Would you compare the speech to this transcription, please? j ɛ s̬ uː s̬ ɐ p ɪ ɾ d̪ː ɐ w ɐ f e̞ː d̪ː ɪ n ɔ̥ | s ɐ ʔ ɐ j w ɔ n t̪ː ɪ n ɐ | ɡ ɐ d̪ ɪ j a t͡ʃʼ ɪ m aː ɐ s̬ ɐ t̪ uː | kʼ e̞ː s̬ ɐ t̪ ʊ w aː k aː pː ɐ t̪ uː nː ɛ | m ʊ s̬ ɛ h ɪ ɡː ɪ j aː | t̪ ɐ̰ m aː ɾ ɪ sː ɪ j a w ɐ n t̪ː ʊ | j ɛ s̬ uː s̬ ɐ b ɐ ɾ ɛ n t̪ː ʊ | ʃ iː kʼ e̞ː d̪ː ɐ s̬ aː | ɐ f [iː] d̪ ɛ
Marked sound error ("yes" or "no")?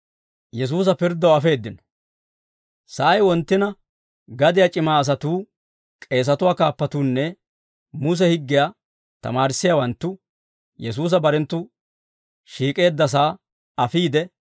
no